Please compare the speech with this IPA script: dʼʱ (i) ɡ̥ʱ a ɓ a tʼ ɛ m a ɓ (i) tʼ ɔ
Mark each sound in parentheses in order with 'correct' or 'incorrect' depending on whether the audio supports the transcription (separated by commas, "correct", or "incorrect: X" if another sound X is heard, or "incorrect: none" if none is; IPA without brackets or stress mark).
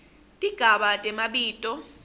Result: correct, incorrect: iː